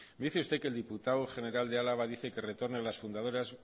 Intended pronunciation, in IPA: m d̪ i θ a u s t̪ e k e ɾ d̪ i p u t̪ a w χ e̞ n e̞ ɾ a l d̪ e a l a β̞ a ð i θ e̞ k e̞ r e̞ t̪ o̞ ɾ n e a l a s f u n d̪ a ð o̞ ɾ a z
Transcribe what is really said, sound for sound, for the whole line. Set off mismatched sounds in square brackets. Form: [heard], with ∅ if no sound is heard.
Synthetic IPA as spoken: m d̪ i θ [e] u s t̪ e k e [l] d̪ i p u t̪ a w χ e̞ n e̞ ɾ a l d̪ e a l a β̞ a ð i θ e̞ k e̞ r e̞ t̪ o̞ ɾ n e a l a s f u n d̪ a ð o̞ ɾ a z